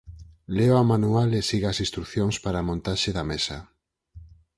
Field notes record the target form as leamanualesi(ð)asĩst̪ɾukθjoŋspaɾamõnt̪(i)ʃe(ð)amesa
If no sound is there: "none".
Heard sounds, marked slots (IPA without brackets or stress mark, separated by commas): ɣ, a, ð